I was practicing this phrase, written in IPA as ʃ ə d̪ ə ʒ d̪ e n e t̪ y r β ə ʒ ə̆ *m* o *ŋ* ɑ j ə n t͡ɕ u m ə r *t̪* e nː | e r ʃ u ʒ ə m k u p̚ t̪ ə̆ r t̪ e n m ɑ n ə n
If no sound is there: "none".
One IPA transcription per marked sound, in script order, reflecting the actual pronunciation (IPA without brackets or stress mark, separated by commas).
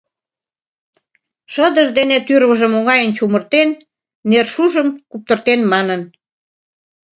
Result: m, ŋ, t̪